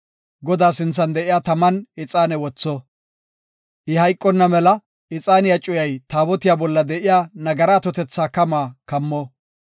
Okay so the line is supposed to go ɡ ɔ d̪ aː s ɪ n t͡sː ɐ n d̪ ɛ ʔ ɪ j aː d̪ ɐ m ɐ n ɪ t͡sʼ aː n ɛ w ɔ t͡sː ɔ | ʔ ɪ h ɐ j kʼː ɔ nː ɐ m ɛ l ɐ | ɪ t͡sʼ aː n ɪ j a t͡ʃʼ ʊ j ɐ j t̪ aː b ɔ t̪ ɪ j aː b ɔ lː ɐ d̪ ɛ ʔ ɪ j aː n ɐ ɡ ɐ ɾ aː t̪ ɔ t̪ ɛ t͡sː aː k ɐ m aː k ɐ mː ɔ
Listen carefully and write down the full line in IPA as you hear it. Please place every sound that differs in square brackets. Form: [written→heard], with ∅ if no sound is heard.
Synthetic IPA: ɡ ɔ d̪ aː s ɪ n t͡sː ɐ n d̪ ɛ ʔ ɪ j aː [d̪→t̪] ɐ m ɐ n ɪ t͡sʼ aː n ɛ w ɔ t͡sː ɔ | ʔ ɪ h ɐ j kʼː ɔ nː ɐ m ɛ l ɐ | ɪ t͡sʼ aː n ɪ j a t͡ʃʼ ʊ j ɐ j t̪ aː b ɔ t̪ ɪ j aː b ɔ lː ɐ d̪ ɛ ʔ ɪ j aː n ɐ ɡ ɐ ɾ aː t̪ ɔ t̪ ɛ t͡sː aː k ɐ m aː k ɐ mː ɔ